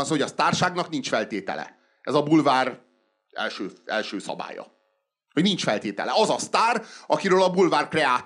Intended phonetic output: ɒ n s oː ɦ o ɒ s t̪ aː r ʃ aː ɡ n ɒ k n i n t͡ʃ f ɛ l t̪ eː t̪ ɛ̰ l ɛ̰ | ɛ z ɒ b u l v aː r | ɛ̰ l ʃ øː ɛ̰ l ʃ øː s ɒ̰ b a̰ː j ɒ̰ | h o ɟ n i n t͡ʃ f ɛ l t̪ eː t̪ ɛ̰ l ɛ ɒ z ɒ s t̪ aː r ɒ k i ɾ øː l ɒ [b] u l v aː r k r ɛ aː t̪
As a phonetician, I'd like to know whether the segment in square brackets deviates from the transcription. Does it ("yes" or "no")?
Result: no